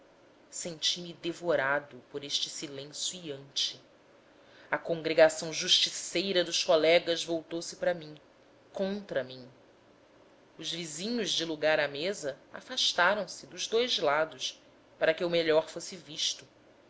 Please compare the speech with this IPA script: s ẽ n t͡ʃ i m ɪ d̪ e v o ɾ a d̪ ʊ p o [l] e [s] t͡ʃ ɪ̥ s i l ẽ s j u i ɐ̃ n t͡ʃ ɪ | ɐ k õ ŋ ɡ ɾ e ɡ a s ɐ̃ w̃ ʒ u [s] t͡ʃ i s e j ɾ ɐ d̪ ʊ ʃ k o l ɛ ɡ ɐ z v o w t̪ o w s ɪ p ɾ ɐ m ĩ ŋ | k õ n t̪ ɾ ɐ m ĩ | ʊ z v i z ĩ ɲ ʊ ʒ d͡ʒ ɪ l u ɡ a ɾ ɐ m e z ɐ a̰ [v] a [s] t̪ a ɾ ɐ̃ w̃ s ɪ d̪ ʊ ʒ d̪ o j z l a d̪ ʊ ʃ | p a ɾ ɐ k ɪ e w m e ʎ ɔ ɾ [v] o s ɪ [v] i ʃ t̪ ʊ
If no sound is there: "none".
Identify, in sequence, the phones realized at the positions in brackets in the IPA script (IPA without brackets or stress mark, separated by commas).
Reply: ɾ, ʃ, ʃ, f, ʃ, f, v